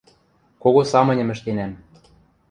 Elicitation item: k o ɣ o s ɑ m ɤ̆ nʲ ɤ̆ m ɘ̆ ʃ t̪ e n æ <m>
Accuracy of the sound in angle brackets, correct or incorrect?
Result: correct